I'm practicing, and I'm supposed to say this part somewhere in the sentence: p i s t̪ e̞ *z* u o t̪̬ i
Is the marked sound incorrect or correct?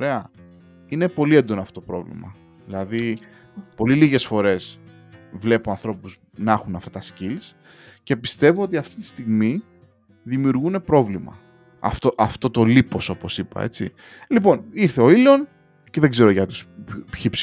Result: incorrect